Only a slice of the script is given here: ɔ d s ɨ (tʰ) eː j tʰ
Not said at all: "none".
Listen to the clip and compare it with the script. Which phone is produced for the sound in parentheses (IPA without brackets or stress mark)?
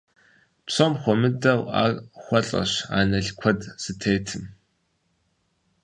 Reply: tʰ